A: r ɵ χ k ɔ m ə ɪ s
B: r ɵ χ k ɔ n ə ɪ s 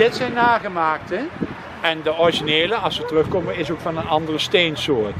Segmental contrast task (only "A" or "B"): A